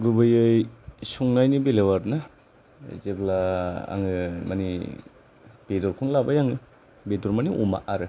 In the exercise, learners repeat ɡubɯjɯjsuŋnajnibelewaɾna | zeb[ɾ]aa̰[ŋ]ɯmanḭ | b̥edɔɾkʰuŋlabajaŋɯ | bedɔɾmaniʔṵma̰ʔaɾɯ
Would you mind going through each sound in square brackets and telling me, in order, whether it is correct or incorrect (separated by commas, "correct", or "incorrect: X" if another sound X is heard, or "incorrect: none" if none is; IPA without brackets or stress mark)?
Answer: incorrect: l, correct